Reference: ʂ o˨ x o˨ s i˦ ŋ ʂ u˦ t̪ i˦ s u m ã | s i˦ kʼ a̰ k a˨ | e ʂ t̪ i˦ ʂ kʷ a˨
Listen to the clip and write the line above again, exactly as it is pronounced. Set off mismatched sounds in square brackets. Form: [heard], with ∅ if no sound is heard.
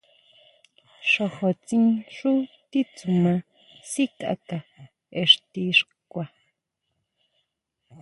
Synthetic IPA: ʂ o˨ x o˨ [t͡s] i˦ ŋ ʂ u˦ t̪ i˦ [t͡s] u m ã | s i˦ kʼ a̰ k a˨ | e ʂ t̪ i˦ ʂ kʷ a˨